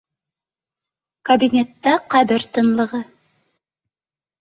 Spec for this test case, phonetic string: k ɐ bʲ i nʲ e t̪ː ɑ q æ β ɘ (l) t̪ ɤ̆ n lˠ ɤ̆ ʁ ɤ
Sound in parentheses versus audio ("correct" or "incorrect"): incorrect